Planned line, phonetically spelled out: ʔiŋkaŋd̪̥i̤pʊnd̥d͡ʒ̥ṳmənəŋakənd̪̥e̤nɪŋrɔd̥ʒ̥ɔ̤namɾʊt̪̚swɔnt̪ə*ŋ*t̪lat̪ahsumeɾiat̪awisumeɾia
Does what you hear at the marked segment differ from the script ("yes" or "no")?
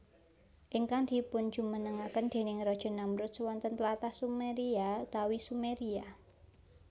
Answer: yes